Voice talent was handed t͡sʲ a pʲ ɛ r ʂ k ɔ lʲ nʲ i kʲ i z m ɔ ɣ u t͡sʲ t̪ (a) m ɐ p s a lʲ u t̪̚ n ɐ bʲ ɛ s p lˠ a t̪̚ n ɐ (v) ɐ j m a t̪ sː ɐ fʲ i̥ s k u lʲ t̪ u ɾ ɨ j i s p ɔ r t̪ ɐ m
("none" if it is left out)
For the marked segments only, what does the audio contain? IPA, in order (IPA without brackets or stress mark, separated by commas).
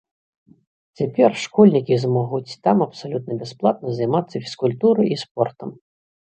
a, z